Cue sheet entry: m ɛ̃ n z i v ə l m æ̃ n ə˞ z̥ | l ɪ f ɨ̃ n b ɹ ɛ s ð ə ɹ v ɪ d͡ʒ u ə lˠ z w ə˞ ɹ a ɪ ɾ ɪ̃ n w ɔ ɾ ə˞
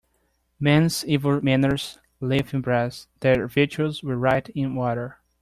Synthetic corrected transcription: m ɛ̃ n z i v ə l m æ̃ n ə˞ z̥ | l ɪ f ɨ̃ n b ɹ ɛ s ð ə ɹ v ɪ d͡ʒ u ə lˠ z w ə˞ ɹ a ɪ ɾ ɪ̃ n w ɔ ɾ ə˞